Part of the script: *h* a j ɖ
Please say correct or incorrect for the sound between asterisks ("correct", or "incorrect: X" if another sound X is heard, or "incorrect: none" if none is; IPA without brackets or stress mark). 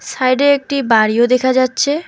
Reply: incorrect: s